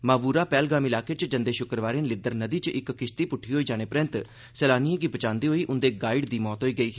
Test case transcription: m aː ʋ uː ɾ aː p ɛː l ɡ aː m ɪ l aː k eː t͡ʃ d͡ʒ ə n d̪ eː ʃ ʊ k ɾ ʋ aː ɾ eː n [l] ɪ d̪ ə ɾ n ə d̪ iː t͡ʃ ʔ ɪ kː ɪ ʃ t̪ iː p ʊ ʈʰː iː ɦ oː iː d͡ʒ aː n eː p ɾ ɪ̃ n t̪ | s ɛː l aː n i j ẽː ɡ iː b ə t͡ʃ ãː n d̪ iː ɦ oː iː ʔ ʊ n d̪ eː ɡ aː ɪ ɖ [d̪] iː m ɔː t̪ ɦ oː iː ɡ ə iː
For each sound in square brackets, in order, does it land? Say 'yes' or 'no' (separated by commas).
yes, yes